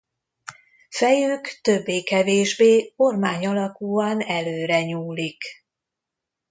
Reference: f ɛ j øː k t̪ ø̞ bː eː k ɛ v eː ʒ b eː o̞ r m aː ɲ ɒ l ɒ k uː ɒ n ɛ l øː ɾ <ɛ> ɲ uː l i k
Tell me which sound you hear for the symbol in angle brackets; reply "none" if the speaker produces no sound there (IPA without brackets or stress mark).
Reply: ɛ